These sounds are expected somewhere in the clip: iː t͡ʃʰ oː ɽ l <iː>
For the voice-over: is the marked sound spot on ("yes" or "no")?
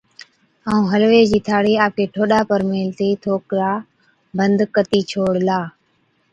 no